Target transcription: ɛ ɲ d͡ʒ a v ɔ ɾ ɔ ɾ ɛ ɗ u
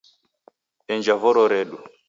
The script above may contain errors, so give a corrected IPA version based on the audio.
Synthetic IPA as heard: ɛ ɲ d͡ʒ a v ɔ ɾ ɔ ɾ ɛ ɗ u